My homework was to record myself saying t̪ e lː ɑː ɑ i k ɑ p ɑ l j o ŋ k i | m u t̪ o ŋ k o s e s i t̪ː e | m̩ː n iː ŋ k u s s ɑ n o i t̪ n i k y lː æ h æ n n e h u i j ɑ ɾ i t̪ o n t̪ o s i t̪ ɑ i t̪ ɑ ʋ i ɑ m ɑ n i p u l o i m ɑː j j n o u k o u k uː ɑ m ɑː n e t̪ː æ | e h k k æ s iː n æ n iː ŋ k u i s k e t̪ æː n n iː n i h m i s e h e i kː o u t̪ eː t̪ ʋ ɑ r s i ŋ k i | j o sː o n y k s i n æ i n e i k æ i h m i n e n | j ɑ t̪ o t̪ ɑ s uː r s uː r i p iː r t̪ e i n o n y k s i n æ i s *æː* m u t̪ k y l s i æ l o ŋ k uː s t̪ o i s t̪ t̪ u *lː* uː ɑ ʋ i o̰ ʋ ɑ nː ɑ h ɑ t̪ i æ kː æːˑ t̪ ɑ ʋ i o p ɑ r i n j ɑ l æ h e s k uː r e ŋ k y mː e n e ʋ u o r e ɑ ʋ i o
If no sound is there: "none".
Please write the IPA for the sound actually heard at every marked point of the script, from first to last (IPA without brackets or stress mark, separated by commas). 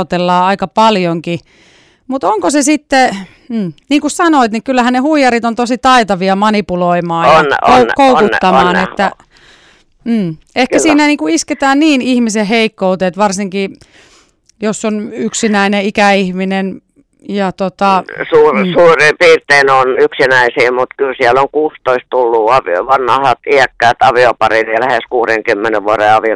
iː, lː